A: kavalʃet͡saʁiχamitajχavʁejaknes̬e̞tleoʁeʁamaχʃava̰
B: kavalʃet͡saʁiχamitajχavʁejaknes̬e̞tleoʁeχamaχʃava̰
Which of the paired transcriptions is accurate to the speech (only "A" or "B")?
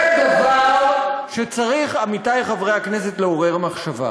A